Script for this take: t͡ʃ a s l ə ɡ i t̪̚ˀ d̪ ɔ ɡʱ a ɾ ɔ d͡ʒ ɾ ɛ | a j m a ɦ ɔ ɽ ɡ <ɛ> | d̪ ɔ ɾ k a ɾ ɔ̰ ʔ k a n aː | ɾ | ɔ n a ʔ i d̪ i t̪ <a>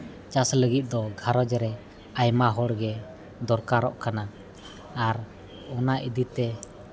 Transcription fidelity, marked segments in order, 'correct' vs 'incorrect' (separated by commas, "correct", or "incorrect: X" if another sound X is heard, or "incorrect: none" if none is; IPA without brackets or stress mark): correct, incorrect: ɛ